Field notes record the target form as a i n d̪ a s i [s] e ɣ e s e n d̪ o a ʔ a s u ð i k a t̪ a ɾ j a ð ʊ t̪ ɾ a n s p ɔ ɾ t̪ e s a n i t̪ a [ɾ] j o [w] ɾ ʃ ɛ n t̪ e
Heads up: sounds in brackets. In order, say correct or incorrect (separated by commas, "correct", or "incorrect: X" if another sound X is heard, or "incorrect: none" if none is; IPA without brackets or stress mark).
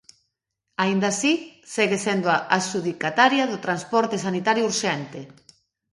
correct, correct, incorrect: u